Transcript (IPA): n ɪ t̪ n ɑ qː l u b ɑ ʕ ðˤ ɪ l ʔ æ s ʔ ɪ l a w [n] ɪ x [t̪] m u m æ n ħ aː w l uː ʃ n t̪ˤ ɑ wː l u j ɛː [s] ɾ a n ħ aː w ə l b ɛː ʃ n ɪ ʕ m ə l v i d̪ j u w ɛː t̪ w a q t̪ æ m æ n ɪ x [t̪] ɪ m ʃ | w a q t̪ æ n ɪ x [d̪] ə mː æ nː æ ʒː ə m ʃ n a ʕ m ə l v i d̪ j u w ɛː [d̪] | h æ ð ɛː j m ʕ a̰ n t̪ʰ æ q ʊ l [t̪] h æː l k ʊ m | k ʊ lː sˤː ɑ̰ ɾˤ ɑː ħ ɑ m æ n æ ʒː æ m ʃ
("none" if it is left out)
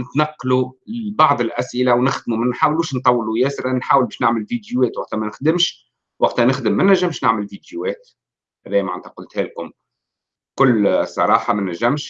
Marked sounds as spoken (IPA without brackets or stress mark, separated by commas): n, d̪, s, d̪, d̪, t̪, t̪